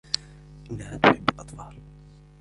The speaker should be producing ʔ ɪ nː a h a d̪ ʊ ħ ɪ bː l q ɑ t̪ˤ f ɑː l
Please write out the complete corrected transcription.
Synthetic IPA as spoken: ʔ ɪ nː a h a t̪ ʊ ħ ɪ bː l ʔ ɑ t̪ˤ f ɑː l